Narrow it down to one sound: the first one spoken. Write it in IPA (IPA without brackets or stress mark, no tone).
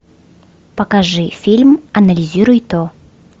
p